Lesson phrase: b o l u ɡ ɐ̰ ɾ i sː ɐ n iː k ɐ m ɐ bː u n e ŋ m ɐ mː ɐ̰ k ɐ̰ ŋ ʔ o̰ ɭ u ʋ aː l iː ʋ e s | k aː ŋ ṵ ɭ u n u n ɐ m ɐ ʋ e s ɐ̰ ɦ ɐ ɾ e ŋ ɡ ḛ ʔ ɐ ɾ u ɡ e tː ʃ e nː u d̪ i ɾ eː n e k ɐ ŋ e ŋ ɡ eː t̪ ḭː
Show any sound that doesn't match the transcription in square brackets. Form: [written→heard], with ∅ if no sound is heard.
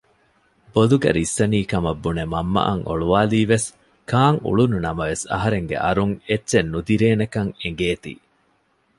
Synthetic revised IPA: b o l u ɡ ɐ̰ ɾ i sː ɐ n iː k ɐ m ɐ bː u n e [ŋ→∅] m ɐ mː ɐ̰ [k→ʔ] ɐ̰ ŋ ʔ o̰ ɭ u ʋ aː l iː ʋ e s | k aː ŋ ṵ ɭ u n u n ɐ m ɐ ʋ e s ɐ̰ ɦ ɐ ɾ e ŋ ɡ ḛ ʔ ɐ ɾ u [ɡ→ŋ] e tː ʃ e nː u d̪ i ɾ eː n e k ɐ ŋ e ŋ ɡ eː t̪ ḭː